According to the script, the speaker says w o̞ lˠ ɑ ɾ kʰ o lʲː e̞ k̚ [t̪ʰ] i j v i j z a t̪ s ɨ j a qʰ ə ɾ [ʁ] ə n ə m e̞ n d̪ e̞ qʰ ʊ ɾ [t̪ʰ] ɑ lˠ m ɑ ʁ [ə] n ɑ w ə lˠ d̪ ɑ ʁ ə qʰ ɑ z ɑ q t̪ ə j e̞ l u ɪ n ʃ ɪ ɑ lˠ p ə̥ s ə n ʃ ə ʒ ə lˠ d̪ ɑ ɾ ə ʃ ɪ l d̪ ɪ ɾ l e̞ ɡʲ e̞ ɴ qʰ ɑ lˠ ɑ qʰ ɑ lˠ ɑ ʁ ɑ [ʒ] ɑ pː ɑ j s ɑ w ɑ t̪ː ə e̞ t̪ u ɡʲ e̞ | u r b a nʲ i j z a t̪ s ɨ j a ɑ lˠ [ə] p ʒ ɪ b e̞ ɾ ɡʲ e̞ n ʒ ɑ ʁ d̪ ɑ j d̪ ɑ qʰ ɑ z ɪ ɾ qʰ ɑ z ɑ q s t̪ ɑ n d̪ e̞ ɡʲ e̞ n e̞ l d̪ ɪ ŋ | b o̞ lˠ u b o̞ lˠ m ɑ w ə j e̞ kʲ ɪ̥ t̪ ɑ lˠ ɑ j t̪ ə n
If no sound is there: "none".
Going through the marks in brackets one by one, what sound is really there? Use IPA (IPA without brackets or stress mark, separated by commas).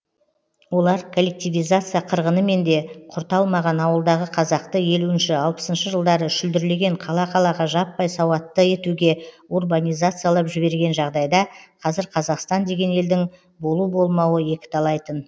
t̪, ʁ, t̪, ɑ, ʒ, ɑ